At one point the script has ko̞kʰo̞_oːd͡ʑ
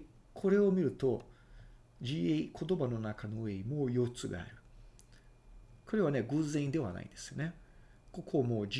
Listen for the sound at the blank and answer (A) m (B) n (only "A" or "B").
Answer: A